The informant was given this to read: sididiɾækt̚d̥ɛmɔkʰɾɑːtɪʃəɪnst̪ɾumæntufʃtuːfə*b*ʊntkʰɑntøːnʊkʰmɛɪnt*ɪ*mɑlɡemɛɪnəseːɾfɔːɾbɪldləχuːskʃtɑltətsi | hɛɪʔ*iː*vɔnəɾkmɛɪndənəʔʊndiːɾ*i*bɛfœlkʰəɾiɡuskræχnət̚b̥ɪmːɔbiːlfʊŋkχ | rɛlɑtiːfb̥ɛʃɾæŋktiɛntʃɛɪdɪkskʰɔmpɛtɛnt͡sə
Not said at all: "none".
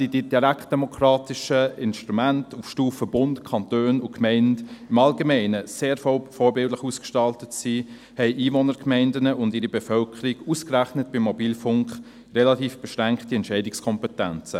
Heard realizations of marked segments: b, ɪ, iː, i

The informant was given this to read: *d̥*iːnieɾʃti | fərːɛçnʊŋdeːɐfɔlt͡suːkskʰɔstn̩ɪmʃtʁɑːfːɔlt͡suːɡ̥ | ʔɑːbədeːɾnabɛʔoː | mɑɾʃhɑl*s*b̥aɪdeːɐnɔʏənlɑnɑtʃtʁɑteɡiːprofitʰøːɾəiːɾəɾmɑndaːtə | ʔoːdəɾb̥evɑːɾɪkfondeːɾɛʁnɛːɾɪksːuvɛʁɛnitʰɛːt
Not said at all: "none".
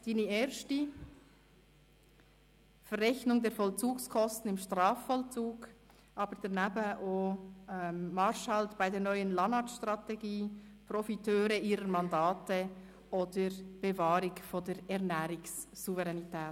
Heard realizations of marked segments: d̥, t

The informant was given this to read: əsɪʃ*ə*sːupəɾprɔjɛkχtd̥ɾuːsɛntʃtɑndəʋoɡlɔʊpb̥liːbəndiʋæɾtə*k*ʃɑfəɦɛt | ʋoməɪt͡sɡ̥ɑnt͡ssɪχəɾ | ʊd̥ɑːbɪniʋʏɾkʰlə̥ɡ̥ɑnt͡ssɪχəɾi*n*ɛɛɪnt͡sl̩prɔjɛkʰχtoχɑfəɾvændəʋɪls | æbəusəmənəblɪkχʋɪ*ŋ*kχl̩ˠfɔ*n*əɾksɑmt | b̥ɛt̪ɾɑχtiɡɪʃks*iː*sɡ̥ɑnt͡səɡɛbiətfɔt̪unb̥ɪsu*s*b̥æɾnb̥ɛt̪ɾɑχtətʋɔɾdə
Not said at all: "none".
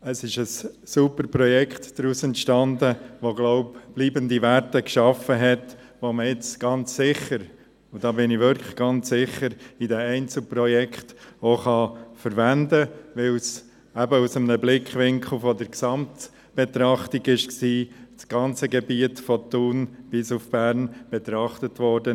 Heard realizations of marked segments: ə, k, d, ŋ, d, iː, f

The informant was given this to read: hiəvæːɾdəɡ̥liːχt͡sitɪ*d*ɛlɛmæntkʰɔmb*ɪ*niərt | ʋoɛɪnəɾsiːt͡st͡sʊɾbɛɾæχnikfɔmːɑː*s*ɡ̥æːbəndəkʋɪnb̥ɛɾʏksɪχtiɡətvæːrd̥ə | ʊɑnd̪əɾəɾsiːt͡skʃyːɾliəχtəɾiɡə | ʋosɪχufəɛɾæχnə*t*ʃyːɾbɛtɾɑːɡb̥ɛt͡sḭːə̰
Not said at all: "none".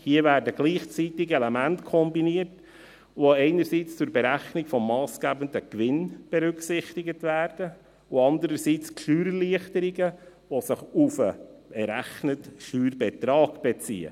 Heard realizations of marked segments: ɡ, i, s, t

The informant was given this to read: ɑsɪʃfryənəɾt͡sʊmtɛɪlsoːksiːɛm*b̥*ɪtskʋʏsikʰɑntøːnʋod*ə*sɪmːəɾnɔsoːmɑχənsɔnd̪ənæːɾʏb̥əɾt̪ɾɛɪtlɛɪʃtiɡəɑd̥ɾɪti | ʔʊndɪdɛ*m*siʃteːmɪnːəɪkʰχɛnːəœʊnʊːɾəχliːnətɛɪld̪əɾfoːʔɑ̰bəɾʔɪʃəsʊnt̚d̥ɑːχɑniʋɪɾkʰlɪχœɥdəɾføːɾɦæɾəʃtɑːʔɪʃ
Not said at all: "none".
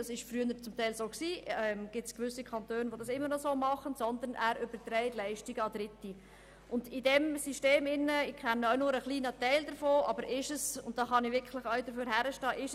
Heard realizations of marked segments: ɡ̥, ɑ, m

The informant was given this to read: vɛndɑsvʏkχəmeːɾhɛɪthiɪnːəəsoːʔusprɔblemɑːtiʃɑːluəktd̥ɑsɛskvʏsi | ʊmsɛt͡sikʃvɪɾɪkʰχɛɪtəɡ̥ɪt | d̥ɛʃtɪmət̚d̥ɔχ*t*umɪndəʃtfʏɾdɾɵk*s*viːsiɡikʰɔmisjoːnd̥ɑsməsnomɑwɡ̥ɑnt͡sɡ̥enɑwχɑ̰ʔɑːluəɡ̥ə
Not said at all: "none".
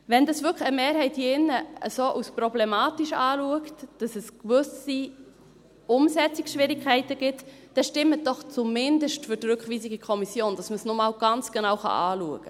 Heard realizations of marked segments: t͡s, χ

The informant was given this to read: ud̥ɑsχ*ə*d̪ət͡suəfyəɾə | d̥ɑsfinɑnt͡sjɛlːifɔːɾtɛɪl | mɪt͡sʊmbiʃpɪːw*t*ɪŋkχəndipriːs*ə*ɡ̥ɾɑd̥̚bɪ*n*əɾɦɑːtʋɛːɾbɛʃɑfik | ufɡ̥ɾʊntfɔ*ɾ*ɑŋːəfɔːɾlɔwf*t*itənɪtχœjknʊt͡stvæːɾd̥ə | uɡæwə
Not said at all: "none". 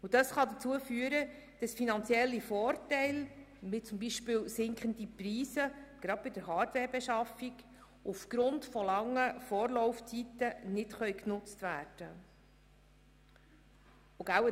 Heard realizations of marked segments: ɑ, s, ə, d, l, t͡s

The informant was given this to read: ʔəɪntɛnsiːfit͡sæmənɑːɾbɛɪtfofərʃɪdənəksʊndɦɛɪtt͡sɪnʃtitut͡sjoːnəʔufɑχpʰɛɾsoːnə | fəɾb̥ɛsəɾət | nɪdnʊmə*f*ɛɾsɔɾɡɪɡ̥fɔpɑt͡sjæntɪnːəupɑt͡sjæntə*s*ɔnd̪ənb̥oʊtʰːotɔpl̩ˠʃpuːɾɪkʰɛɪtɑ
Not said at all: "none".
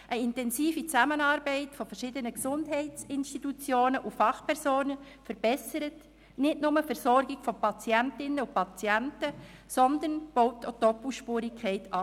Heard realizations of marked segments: f, s

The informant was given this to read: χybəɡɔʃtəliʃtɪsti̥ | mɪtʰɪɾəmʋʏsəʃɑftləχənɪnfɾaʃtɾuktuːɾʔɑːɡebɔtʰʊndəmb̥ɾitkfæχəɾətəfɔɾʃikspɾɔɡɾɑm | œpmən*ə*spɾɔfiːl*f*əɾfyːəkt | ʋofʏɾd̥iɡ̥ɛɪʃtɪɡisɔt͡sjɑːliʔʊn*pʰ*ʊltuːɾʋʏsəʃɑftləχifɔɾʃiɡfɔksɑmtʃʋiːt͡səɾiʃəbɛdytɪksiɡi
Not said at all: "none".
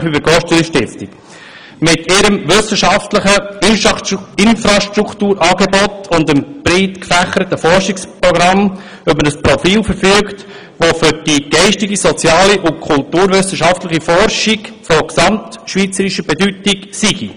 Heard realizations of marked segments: ə, f, kʰ

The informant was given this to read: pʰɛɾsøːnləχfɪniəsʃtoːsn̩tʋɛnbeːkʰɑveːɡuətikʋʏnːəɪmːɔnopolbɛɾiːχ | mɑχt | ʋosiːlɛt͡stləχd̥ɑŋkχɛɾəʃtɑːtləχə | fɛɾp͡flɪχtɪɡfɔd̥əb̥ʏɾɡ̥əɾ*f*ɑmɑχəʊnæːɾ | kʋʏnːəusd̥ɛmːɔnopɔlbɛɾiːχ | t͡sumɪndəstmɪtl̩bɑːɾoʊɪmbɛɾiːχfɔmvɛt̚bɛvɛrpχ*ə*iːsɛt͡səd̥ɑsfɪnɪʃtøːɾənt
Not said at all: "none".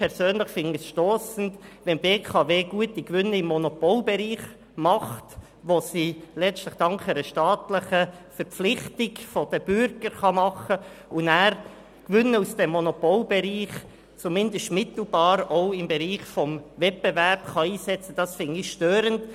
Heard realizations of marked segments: χ, ɑ

